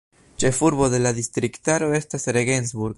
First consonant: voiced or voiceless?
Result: voiceless